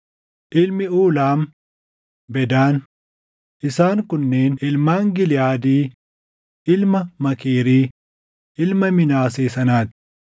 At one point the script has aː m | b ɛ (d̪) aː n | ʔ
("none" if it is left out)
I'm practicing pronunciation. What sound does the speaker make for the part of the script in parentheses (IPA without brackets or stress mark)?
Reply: d̪